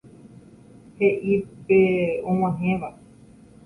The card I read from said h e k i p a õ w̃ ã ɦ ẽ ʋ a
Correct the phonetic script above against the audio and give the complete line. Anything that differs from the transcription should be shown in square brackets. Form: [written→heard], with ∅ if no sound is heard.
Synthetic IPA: h e [k→ʔ] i p [a→e] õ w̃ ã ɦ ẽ ʋ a